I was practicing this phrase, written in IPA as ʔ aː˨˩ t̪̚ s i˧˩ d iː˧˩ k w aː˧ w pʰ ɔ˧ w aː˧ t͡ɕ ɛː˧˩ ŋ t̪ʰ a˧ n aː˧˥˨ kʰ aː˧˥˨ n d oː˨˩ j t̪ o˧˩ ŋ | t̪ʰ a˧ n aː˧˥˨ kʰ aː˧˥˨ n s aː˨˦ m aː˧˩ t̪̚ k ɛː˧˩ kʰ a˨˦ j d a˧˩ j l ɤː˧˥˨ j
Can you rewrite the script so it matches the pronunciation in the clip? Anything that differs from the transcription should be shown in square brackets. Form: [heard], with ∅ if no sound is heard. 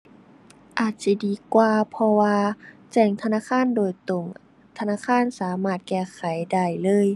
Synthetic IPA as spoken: ʔ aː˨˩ t̪̚ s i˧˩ d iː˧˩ k w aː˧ [∅] pʰ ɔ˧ w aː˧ t͡ɕ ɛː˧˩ ŋ t̪ʰ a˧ n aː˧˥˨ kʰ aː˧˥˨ n d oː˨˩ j t̪ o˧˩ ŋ | t̪ʰ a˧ n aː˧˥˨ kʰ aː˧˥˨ n s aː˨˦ m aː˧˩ t̪̚ k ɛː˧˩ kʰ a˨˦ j d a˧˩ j l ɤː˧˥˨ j